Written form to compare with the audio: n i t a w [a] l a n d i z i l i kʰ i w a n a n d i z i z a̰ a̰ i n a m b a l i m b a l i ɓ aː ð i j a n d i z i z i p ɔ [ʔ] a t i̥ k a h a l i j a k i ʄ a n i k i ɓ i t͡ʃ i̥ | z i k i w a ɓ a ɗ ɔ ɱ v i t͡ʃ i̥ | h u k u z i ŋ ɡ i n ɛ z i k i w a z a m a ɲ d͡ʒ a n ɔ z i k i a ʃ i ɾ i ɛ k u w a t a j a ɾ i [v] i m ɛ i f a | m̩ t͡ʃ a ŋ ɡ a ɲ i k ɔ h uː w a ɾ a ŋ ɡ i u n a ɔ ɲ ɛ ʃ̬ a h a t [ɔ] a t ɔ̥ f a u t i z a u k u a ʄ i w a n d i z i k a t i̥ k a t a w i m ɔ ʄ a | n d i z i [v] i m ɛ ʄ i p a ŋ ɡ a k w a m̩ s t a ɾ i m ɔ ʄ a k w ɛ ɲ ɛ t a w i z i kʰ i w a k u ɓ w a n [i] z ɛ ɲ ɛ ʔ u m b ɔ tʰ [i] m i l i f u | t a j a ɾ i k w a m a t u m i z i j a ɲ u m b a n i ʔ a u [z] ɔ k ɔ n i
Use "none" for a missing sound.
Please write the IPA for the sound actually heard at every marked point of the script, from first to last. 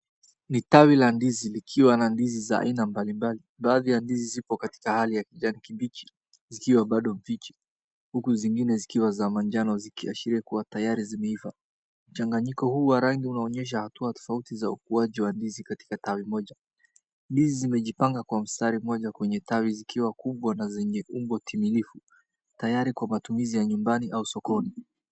i, k, z, u, z, a, i, s

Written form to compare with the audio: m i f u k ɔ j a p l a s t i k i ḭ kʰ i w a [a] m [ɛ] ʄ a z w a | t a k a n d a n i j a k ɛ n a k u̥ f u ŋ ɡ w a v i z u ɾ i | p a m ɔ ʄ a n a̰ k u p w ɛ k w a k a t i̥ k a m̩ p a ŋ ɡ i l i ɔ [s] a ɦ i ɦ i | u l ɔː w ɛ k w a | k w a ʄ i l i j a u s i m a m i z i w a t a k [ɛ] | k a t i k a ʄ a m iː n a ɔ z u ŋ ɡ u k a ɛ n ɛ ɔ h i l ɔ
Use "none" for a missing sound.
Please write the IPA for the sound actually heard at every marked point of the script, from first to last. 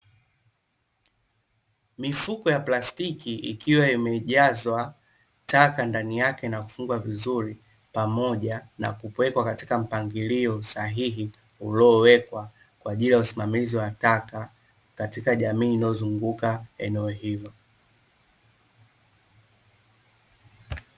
i, ɛ, s, a

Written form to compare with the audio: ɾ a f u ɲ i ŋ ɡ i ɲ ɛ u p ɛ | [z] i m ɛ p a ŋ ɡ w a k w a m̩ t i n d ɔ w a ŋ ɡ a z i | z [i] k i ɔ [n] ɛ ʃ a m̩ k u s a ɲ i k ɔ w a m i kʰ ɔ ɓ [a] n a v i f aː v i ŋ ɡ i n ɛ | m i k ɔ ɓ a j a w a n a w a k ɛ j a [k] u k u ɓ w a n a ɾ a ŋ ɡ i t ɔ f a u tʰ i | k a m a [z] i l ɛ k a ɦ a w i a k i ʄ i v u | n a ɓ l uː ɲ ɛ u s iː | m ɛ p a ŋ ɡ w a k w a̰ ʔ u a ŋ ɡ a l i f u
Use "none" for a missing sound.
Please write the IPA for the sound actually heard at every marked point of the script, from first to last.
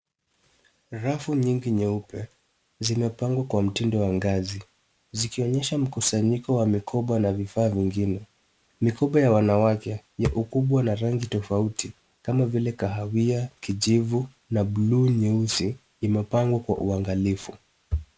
z, i, ɲ, a, ʔ, v

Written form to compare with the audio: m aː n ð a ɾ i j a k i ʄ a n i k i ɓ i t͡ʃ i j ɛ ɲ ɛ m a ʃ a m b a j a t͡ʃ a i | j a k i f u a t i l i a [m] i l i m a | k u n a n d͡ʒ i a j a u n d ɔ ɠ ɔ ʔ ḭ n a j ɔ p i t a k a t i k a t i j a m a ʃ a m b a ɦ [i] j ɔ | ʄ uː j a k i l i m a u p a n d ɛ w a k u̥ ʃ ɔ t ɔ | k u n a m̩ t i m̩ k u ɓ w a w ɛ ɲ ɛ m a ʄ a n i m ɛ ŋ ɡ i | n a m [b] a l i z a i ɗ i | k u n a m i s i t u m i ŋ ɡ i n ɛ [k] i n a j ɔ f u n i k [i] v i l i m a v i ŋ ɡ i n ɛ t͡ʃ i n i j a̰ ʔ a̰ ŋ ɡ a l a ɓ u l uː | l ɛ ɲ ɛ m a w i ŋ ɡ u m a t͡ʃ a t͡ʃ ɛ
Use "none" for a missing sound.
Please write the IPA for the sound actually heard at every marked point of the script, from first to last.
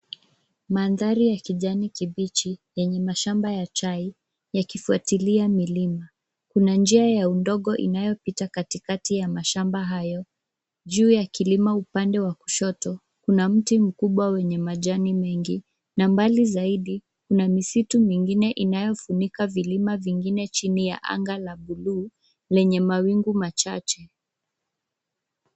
m, a, b, ʔ, a

